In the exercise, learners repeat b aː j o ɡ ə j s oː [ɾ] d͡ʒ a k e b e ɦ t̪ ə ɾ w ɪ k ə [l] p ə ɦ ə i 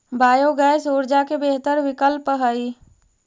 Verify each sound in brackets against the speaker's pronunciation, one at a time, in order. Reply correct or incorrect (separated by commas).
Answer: correct, correct